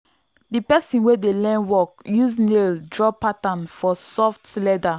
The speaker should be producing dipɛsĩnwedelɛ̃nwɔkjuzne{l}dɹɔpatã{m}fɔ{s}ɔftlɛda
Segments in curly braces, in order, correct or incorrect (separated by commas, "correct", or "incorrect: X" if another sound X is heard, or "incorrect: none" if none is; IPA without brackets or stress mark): correct, incorrect: n, correct